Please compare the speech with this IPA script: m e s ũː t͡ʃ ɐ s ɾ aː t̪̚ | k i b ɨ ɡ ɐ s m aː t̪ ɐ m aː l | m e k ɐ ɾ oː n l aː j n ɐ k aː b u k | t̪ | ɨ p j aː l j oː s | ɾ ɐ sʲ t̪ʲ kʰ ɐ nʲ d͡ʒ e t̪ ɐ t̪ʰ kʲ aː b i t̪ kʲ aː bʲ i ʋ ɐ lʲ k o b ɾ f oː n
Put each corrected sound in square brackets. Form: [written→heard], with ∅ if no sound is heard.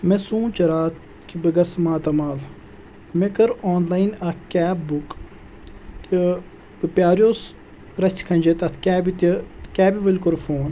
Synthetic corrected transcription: m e s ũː t͡ʃ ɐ [s→∅] ɾ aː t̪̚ | k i b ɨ ɡ ɐ s m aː t̪ ɐ m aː l | m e k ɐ ɾ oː n l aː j n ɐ k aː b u k | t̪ | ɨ p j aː [l→ɾ] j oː s | ɾ ɐ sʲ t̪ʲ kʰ ɐ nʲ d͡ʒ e t̪ ɐ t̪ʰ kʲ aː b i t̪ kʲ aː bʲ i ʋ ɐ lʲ k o [b→∅] ɾ f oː n